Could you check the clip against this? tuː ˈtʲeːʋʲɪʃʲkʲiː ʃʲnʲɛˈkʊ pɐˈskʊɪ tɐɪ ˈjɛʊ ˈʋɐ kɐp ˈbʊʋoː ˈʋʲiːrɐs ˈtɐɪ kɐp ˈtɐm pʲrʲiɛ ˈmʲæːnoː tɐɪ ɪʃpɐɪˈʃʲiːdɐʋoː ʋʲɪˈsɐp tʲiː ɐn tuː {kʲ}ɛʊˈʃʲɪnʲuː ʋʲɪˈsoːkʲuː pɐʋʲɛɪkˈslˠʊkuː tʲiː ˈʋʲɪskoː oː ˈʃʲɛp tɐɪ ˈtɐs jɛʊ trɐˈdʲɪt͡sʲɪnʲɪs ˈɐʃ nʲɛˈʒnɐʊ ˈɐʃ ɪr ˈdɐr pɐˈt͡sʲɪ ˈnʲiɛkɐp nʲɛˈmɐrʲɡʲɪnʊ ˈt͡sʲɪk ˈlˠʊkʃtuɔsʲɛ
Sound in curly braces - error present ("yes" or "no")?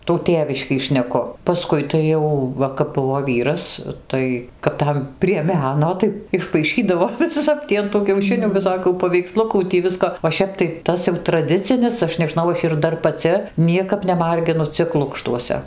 no